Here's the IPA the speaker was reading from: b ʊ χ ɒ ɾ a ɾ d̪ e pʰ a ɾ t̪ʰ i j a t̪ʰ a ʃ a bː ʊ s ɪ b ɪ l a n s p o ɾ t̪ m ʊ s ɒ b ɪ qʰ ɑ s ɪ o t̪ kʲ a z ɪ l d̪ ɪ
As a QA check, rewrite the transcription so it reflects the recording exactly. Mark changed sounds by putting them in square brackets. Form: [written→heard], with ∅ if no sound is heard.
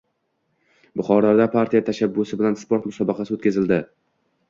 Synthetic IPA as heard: b ʊ χ ɒ ɾ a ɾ d̪ [e→a] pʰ a ɾ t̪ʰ i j a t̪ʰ a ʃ a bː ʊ s ɪ b ɪ l a n s p o ɾ t̪ m ʊ s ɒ b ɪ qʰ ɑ s ɪ o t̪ kʲ a z ɪ l d̪ ɪ

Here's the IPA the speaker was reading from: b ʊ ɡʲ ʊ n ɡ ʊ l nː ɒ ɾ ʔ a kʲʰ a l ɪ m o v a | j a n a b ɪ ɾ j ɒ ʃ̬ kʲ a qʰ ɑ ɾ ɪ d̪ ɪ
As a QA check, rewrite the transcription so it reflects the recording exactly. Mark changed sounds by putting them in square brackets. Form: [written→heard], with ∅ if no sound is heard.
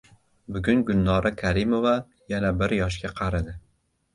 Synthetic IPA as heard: b ʊ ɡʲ ʊ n ɡ ʊ l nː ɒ ɾ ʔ a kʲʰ a [l→ɾ] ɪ m o v a | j a n a b ɪ ɾ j ɒ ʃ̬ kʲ a qʰ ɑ ɾ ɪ d̪ ɪ

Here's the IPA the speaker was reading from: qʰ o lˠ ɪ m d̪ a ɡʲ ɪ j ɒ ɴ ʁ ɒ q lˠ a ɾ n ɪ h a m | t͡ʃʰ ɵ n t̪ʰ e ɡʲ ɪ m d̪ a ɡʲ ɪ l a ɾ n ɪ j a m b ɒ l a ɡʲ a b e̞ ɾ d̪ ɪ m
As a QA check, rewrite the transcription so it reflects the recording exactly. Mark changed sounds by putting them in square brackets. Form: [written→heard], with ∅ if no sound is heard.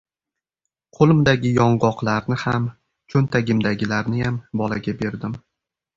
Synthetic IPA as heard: qʰ o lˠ ɪ m d̪ a ɡʲ ɪ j ɒ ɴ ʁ ɒ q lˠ a ɾ n ɪ h a m | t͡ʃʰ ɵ n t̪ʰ [e→a] ɡʲ ɪ m d̪ a ɡʲ ɪ l a ɾ n ɪ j a m b ɒ l a ɡʲ a b e̞ ɾ d̪ ɪ m

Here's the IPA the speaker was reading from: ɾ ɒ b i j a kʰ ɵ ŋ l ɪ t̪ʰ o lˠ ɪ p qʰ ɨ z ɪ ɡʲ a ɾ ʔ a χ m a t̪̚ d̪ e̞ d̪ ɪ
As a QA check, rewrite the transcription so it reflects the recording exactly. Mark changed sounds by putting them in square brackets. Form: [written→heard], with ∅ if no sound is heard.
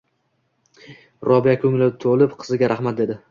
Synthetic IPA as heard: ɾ ɒ b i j a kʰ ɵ ŋ l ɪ t̪ʰ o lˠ ɪ p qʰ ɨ z ɪ ɡʲ a ɾ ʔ a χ m a t̪̚ d̪ e̞ d̪ ɪ

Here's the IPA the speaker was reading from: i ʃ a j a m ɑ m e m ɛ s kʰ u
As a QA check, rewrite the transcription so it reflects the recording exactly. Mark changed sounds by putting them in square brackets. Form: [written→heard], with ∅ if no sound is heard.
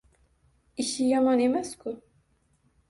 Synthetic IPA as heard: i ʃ [a→i] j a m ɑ [m→n] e m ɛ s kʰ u

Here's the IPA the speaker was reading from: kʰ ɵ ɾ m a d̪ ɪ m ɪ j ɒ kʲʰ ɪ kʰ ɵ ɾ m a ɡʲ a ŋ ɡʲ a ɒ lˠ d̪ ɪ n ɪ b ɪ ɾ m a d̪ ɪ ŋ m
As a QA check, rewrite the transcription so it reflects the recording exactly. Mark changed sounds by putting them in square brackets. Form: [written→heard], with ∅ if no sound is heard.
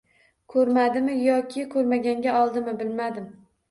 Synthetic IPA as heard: kʰ ɵ ɾ m a d̪ ɪ m ɪ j ɒ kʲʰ ɪ kʰ ɵ ɾ m a ɡʲ a ŋ ɡʲ a ɒ lˠ d̪ ɪ [n→m] ɪ b ɪ [ɾ→l] m a d̪ ɪ [ŋ→∅] m

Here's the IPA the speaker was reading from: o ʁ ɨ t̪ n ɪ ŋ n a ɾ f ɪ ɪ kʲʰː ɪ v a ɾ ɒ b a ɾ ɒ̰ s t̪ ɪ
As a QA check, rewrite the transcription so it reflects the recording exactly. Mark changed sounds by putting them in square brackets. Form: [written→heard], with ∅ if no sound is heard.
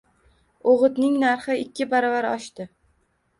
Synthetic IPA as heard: o ʁ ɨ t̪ n ɪ ŋ n a ɾ [f→χ] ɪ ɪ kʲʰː ɪ [v→b] a ɾ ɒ [b→v] a ɾ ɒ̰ [s→ʃ] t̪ ɪ

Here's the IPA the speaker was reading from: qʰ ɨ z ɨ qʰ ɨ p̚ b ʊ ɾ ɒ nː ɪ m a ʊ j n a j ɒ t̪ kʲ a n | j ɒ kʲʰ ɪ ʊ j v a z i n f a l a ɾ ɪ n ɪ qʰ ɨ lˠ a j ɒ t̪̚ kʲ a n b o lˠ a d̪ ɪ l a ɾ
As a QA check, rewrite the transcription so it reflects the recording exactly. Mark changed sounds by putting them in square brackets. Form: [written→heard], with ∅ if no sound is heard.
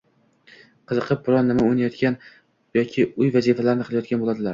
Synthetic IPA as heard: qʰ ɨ z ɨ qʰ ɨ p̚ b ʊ ɾ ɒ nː ɪ m a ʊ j n a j ɒ t̪ kʲ a n | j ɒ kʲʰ ɪ ʊ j v a z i [n→∅] f a l a ɾ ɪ n ɪ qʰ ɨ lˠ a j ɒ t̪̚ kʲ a n b o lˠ a d̪ ɪ l a ɾ

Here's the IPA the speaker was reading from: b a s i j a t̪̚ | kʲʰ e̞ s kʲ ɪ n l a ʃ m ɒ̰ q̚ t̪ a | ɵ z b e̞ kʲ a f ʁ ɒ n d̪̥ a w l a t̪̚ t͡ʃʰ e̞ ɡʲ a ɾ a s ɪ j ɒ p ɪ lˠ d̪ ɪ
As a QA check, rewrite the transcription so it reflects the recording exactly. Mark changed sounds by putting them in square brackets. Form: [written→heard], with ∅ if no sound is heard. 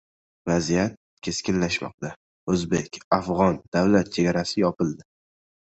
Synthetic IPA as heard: [b→v] a [s→z] i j a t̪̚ | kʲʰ e̞ s kʲ ɪ n l a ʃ m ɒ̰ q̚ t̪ a | ɵ z b e̞ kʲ a f ʁ ɒ n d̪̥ a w l a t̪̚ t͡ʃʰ e̞ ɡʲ a ɾ a s ɪ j ɒ p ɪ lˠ d̪ ɪ

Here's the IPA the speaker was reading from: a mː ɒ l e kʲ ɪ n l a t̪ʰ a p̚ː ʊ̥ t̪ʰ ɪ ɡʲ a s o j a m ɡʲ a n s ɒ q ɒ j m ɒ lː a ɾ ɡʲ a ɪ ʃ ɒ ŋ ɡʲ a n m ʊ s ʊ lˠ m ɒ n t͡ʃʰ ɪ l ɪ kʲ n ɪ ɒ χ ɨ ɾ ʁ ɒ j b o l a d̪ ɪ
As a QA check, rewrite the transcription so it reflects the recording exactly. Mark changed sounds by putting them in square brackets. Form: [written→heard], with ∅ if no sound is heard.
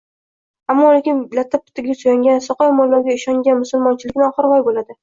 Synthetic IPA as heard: a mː ɒ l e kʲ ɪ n l a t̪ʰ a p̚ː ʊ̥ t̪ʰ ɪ ɡʲ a s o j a [m→ŋ] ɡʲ a n s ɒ q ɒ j m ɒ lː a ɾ ɡʲ a ɪ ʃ ɒ ŋ ɡʲ a n m ʊ s ʊ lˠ m ɒ n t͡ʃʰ ɪ l ɪ kʲ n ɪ ɒ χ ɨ ɾ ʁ ɒ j b o l a d̪ ɪ

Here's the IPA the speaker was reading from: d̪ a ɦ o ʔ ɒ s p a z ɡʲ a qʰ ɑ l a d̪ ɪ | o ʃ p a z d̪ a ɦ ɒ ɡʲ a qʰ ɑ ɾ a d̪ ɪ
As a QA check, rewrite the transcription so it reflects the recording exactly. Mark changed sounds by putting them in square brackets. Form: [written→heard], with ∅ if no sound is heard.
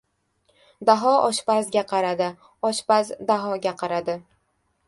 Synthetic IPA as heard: d̪ a ɦ [o→ɒ] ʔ ɒ [s→ʃ] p a z ɡʲ a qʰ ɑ [l→ɾ] a d̪ ɪ | [o→ɒ] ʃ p a z d̪ a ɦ ɒ ɡʲ a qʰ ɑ ɾ a d̪ ɪ

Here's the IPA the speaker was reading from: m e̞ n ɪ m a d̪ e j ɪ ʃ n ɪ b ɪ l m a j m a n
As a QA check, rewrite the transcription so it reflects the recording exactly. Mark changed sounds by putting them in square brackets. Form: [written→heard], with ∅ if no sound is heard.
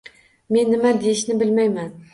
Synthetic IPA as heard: m e̞ [n→nː] ɪ m a d̪ e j ɪ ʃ n ɪ b ɪ l m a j m a n

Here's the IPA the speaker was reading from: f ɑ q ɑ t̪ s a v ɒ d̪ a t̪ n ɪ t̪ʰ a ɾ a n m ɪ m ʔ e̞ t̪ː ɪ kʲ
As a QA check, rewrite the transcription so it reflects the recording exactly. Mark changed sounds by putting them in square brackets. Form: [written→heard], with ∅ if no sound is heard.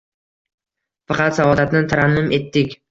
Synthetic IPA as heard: f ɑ q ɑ t̪ s a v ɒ d̪ a t̪ n ɪ t̪ʰ a ɾ a n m ɪ m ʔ e̞ t̪ː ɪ kʲ

